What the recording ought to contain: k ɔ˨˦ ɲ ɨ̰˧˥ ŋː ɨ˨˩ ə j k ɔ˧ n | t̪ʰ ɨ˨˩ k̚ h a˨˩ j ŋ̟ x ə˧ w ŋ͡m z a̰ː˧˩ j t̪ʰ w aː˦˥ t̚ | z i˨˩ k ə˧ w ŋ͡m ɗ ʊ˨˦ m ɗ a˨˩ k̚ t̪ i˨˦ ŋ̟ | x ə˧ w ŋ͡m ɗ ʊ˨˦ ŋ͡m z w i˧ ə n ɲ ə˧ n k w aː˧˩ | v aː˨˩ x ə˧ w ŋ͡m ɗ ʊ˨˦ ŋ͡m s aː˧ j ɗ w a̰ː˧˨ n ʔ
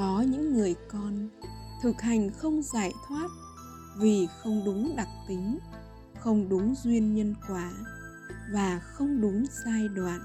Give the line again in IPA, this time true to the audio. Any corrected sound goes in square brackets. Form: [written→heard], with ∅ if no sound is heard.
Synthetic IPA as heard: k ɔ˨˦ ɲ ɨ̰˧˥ ŋː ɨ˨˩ ə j k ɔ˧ n | t̪ʰ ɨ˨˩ k̚ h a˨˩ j ŋ̟ x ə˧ w ŋ͡m z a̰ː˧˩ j t̪ʰ w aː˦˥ t̚ | [z→v] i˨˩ [k→x] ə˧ w ŋ͡m ɗ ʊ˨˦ [m→ŋ͡m] ɗ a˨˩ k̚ t̪ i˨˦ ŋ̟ | x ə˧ w ŋ͡m ɗ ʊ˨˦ ŋ͡m z w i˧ ə n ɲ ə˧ n k w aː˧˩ | v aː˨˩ x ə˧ w ŋ͡m ɗ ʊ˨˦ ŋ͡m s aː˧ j ɗ w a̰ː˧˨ n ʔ